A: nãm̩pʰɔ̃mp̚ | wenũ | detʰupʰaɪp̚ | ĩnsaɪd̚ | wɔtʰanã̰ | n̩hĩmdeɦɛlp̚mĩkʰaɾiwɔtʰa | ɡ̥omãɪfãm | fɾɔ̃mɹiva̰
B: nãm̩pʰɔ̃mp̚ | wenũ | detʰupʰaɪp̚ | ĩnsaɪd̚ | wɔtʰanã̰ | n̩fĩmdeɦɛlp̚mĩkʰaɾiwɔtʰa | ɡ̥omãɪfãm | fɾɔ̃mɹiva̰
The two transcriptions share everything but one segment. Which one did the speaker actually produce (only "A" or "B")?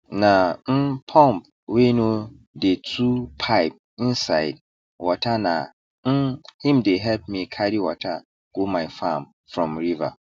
A